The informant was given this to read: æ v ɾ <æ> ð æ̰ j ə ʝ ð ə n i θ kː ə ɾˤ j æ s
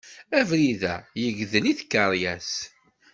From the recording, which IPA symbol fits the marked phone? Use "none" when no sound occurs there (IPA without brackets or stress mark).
i